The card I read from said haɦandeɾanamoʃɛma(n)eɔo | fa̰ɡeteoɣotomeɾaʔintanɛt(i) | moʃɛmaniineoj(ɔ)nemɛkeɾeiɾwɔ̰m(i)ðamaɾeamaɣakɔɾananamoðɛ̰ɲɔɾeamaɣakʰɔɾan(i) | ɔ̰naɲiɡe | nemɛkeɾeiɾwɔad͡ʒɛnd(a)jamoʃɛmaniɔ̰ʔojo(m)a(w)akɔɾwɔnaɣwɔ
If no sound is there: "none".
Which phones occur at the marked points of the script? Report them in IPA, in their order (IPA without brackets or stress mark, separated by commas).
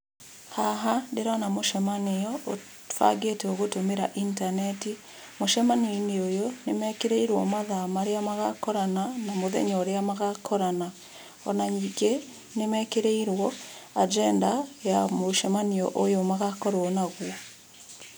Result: n, i, o, a, a, a, m, ɣ